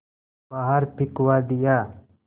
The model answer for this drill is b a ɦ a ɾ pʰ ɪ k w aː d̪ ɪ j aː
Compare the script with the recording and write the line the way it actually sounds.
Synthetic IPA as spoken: b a ɦ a ɾ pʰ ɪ k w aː d̪ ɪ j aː